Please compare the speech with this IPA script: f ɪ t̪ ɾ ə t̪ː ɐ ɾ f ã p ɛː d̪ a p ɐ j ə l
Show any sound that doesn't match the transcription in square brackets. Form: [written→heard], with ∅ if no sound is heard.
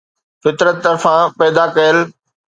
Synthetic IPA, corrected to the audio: f ɪ t̪ ɾ ə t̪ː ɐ ɾ f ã p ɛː d̪ a [p→k] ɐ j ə l